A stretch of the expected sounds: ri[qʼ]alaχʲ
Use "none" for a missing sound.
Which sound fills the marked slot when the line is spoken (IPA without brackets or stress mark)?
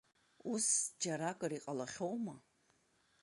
qʼ